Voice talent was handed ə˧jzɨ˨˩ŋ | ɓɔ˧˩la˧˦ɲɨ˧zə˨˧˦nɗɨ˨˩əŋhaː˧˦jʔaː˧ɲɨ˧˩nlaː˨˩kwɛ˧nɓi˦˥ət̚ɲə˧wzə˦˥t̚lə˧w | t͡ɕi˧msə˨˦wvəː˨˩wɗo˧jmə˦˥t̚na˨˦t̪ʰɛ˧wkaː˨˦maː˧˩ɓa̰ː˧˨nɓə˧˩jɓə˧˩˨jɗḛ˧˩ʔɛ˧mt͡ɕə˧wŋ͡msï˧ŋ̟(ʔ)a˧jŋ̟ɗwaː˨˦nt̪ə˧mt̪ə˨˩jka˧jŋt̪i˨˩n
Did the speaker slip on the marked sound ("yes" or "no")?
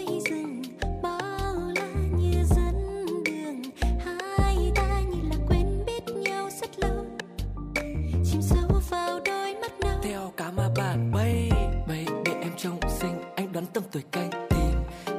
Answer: no